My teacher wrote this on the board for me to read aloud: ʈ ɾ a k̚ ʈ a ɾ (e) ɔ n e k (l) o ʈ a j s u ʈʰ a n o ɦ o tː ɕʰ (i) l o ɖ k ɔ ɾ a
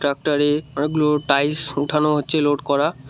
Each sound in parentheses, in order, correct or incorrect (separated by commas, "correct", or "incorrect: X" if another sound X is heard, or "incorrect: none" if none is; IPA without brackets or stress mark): correct, correct, incorrect: e